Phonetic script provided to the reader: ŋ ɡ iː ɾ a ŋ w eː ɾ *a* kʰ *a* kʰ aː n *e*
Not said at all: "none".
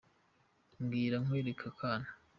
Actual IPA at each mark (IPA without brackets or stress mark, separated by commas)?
e, a, a